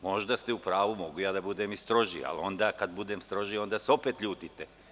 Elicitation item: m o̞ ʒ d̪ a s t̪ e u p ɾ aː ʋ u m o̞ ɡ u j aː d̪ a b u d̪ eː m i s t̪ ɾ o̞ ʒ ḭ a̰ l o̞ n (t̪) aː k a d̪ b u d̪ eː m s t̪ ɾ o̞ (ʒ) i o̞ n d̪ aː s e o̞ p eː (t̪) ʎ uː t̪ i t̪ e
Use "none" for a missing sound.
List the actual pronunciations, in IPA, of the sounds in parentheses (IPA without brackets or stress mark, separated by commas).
d̪, ʒ, t̪